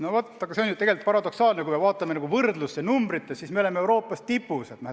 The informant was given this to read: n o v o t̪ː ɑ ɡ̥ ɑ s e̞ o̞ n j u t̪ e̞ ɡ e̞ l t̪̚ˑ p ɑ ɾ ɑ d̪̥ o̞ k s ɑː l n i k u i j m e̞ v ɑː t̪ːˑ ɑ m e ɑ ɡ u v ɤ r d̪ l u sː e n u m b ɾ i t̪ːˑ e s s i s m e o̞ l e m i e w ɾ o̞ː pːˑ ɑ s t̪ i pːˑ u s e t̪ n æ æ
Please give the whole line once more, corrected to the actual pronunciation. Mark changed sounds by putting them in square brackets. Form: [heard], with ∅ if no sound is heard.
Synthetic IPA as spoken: n o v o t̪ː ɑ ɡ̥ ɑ s e̞ o̞ n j u t̪ e̞ ɡ e̞ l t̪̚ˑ p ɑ ɾ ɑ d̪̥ o̞ k s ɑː l n [e] k u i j m e̞ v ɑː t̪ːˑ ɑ m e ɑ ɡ u v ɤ r d̪ l u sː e n u m b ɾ i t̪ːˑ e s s i s m e o̞ l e m [e] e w ɾ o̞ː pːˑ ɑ s t̪ i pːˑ u s e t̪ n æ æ

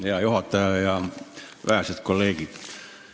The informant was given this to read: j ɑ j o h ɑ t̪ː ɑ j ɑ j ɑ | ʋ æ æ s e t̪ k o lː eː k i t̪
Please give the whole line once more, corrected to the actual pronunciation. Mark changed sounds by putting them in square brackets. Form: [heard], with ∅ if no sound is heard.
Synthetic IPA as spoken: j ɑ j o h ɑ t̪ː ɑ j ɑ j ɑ | ʋ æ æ s e t̪ k o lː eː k i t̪

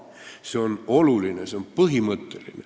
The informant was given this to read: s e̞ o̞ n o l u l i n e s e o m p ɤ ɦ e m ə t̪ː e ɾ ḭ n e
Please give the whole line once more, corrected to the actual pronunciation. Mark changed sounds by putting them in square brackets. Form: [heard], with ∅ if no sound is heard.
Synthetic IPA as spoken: s e̞ o̞ n o l u l i n e s e o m p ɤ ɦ [i] m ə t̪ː e [l] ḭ n e

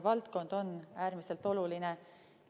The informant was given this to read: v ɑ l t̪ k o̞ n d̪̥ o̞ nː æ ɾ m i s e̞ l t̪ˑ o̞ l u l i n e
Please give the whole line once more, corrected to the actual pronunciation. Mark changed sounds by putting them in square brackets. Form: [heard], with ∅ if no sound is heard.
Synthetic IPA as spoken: v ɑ l t̪ k o̞ n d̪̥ o̞ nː [æː] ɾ m i s e̞ l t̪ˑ o̞ l u l i n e

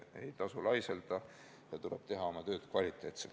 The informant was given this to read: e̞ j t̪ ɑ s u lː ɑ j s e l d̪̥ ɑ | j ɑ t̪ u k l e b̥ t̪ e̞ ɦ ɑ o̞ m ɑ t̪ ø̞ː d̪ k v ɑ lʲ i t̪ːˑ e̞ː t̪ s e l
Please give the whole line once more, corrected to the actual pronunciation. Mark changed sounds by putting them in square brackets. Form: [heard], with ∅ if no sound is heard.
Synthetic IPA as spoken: e̞ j t̪ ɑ s u [l] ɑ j s e l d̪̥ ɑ | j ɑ t̪ u [∅] l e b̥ t̪ e̞ ɦ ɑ o̞ m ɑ t̪ ø̞ː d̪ k v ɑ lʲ i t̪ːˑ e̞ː t̪ s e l

